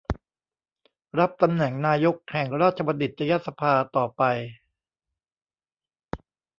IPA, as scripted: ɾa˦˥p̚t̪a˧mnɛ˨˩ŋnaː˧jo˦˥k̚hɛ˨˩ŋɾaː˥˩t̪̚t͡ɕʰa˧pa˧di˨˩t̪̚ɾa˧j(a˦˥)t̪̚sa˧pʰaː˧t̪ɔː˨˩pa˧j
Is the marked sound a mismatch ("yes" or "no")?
no